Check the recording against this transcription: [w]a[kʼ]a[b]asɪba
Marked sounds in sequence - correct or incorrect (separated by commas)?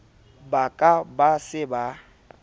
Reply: incorrect, correct, correct